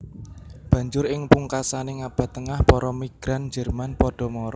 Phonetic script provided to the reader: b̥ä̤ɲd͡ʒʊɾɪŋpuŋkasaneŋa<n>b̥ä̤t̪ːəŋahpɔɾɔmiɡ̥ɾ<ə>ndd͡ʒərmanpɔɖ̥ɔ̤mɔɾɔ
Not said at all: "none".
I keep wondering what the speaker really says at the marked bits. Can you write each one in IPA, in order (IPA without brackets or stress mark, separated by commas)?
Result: none, a